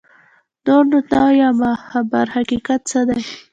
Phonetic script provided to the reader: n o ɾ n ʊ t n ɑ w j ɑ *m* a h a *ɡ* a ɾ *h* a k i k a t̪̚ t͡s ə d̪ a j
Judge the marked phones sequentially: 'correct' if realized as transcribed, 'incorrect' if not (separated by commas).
correct, incorrect, correct